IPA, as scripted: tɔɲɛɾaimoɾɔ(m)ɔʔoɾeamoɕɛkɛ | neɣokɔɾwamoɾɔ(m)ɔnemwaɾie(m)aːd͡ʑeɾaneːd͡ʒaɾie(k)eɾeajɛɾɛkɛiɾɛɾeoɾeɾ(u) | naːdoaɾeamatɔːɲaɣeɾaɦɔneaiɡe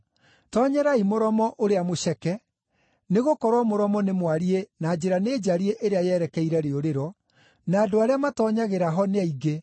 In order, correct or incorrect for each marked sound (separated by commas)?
correct, correct, incorrect, incorrect, incorrect